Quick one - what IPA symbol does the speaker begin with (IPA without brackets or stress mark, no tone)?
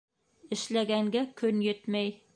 ɘ̆